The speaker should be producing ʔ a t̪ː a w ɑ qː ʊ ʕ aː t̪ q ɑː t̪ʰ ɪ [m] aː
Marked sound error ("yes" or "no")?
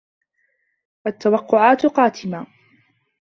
no